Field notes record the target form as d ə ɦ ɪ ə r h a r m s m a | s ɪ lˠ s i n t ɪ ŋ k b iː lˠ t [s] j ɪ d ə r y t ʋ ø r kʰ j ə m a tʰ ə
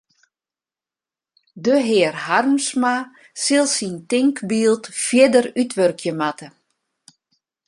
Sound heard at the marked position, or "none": f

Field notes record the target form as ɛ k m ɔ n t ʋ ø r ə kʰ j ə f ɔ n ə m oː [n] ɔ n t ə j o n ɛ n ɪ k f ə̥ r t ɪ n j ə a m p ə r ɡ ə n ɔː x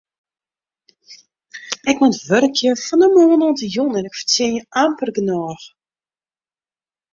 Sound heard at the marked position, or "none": n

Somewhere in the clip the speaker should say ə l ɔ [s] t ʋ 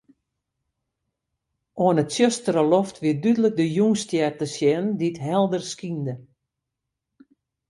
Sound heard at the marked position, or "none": f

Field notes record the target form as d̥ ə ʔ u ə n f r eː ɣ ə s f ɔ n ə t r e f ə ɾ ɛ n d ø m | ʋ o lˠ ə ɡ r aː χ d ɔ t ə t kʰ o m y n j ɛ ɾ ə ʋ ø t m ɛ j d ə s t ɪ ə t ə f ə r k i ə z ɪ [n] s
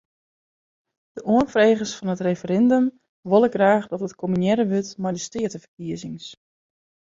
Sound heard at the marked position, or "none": ŋ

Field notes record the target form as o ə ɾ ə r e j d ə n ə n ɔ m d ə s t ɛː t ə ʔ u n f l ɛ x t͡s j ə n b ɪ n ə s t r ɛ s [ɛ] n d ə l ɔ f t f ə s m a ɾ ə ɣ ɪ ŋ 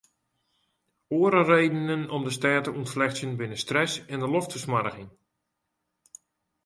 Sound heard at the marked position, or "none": ɛ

